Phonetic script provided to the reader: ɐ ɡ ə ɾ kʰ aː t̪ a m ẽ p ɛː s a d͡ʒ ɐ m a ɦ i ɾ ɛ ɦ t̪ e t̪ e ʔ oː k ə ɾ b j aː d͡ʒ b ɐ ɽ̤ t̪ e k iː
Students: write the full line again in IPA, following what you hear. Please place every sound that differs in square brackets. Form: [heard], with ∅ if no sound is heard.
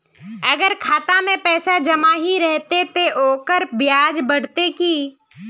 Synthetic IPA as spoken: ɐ ɡ ə ɾ kʰ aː t̪ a m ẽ p ɛː s a d͡ʒ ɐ m a ɦ i ɾ ɛ ɦ t̪ e t̪ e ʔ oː k ə ɾ b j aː d͡ʒ b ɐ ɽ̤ t̪ e k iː